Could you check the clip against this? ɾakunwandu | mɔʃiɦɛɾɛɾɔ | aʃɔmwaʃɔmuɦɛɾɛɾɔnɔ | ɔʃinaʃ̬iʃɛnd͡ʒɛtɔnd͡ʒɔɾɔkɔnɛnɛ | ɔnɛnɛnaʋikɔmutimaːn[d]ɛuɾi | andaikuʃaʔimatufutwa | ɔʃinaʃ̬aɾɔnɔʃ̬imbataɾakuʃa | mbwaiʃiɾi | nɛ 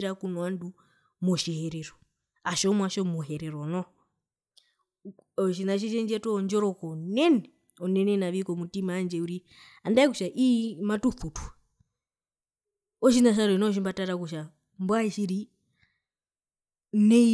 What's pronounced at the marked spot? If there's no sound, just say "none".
d͡ʒ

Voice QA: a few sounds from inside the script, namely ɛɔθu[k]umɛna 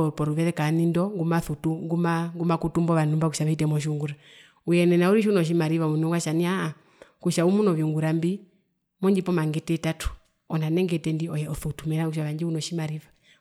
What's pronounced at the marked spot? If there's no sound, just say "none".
t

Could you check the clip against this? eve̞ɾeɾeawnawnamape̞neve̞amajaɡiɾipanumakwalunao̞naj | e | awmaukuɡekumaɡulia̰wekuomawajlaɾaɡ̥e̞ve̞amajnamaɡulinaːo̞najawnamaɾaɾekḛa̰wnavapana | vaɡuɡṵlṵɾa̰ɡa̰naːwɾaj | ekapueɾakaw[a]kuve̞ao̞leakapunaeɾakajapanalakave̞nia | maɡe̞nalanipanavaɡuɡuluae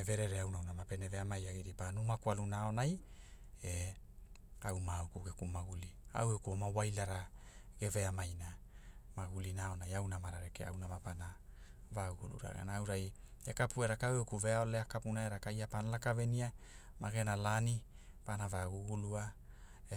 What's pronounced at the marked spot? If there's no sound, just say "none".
e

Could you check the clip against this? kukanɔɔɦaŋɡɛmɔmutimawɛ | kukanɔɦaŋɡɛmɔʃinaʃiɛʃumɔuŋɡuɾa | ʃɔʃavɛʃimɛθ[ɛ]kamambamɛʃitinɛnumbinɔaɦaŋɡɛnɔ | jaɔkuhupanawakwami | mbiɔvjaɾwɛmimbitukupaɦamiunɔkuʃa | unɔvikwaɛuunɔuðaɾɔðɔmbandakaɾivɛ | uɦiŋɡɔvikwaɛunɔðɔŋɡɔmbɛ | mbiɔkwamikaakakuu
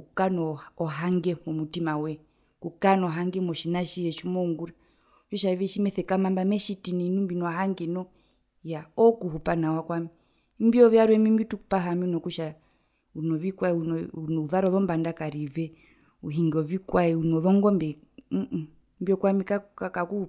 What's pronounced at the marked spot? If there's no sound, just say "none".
ɛ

